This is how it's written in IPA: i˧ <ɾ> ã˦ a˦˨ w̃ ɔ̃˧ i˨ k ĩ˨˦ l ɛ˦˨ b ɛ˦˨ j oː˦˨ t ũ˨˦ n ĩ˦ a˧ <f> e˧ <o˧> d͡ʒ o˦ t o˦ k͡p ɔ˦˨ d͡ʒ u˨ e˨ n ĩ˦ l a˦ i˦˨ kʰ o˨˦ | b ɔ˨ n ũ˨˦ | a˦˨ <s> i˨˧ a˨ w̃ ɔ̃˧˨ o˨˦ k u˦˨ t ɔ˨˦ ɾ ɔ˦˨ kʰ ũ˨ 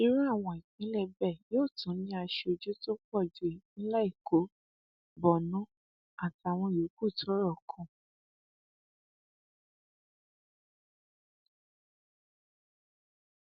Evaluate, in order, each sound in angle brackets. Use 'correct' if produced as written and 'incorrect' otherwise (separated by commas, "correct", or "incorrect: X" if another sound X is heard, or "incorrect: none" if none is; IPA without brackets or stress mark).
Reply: correct, incorrect: ʃ, correct, incorrect: t